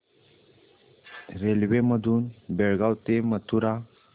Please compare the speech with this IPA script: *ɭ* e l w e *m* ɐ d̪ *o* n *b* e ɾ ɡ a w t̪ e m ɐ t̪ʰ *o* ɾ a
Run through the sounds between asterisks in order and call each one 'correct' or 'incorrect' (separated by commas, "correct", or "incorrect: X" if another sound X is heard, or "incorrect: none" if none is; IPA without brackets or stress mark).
incorrect: ɾ, correct, incorrect: u, correct, incorrect: u